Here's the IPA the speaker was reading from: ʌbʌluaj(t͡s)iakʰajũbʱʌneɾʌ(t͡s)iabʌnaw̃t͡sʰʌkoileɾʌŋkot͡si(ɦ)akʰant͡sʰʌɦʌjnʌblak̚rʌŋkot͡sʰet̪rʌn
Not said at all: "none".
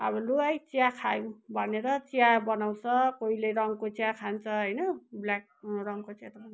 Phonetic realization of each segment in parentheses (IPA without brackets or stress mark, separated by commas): t͡s, t͡s, none